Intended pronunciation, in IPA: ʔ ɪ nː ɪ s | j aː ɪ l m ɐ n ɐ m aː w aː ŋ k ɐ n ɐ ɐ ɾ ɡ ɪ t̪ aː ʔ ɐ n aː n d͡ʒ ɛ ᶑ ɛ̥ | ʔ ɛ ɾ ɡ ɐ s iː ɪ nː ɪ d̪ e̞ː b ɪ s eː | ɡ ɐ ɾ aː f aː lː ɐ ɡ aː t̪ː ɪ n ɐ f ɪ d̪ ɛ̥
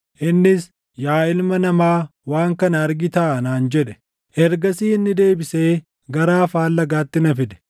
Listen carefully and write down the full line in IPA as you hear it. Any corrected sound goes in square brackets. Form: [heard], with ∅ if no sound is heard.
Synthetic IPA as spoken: ʔ ɪ nː ɪ s | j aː ɪ l m ɐ n ɐ m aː w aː ŋ k ɐ n ɐ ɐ ɾ ɡ ɪ t̪ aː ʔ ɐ n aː n d͡ʒ ɛ ᶑ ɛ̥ | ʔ ɛ ɾ ɡ ɐ s iː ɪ nː ɪ d̪ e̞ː b ɪ s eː | ɡ ɐ ɾ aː f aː lː ɐ ɡ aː t̪ː ɪ n ɐ f ɪ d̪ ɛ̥

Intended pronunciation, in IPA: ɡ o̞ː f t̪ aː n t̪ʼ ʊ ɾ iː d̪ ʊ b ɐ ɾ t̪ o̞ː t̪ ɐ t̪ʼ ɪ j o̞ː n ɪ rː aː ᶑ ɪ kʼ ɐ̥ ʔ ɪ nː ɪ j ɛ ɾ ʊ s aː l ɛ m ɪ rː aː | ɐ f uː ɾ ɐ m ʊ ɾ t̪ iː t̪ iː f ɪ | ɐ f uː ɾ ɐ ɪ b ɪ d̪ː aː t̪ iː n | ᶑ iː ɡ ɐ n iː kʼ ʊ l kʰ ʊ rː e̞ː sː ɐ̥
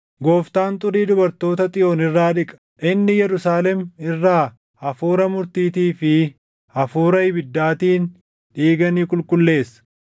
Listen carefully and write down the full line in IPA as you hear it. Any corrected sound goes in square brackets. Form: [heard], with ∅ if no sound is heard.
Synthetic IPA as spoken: ɡ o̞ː f t̪ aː n t̪ʼ ʊ ɾ iː d̪ ʊ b ɐ ɾ t̪ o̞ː t̪ ɐ t̪ʼ ɪ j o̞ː n ɪ rː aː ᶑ ɪ kʼ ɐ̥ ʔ ɪ nː ɪ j ɛ ɾ ʊ s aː l ɛ m ɪ rː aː | ɐ f uː ɾ ɐ m ʊ ɾ t̪ iː t̪ iː f ɪ | ɐ f uː ɾ ɐ ɪ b ɪ d̪ː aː t̪ iː n | ᶑ iː ɡ ɐ n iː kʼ ʊ l [k] ʊ [lː] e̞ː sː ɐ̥

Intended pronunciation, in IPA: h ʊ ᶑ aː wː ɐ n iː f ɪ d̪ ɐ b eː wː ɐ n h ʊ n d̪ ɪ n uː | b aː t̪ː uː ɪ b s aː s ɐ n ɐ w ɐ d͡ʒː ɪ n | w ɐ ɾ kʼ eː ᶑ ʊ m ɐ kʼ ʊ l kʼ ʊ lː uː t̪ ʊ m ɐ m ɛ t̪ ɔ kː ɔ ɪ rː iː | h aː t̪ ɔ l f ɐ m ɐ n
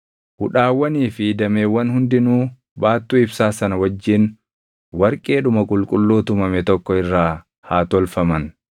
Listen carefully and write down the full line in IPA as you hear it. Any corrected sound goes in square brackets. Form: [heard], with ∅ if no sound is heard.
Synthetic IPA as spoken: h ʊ ᶑ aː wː ɐ n iː f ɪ d̪ ɐ [m] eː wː ɐ n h ʊ n d̪ ɪ n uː | b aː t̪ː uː ɪ b s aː s ɐ n ɐ w ɐ d͡ʒː ɪ n | w ɐ ɾ kʼ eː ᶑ ʊ m ɐ kʼ ʊ l kʼ ʊ lː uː t̪ ʊ m ɐ m ɛ t̪ ɔ kː ɔ ɪ rː [aː] | h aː t̪ ɔ l f ɐ m ɐ n

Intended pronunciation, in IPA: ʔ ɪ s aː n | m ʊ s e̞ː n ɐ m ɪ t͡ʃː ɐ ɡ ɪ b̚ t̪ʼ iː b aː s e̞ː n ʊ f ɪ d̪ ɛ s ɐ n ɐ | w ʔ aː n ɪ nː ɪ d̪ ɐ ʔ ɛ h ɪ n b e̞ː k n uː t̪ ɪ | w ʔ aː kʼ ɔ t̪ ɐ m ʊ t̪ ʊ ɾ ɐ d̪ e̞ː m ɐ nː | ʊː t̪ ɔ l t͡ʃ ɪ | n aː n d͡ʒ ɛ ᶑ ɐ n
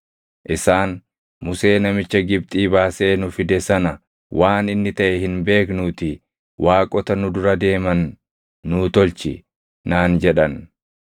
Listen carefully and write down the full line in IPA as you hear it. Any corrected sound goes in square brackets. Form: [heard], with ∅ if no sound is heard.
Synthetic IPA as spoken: ʔ ɪ s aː n | m ʊ s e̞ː n ɐ m ɪ t͡ʃː ɐ ɡ ɪ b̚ t̪ʼ iː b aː s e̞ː n ʊ f ɪ d̪ ɛ s ɐ n ɐ | w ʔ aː n ɪ nː ɪ [t̪] ɐ ʔ ɛ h ɪ n b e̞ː k n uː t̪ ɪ | w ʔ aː kʼ ɔ t̪ ɐ [n] ʊ [d̪] ʊ ɾ ɐ d̪ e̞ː m ɐ nː | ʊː t̪ ɔ l t͡ʃ ɪ | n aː n d͡ʒ ɛ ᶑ ɐ n

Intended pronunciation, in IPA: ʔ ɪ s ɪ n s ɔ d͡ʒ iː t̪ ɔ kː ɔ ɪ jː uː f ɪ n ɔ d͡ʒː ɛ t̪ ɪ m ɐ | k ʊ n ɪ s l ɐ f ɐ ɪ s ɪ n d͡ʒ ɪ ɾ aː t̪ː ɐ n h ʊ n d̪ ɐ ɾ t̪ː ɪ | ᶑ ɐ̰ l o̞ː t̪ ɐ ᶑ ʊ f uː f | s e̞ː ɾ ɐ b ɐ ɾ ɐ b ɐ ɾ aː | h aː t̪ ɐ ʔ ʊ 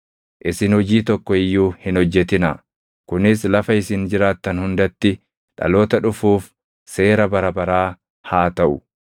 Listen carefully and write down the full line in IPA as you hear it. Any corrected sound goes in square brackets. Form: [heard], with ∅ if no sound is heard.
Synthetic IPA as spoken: ʔ ɪ s ɪ n [h] ɔ d͡ʒ iː t̪ ɔ kː ɔ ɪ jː uː [h] ɪ n ɔ d͡ʒː ɛ t̪ ɪ [n] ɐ | k ʊ n ɪ s l ɐ f ɐ ɪ s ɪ n d͡ʒ ɪ ɾ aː t̪ː ɐ n h ʊ n d̪ ɐ [∅] t̪ː ɪ | ᶑ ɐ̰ l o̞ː t̪ ɐ ᶑ ʊ f uː f | s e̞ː ɾ ɐ b ɐ ɾ ɐ b ɐ ɾ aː | h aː t̪ ɐ ʔ ʊ

